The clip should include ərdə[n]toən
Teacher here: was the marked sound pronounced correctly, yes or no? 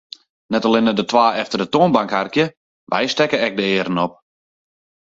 no